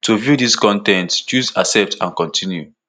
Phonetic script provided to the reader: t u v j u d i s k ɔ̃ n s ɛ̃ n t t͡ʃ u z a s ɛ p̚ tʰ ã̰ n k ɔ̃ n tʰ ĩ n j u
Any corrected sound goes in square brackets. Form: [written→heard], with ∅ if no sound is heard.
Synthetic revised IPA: t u v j u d i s k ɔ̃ n [s→t] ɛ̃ n t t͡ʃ u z a s ɛ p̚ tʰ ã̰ n k ɔ̃ n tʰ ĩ n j u